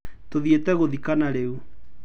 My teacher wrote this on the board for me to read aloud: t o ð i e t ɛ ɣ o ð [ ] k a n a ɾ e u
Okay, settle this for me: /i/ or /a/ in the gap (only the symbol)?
i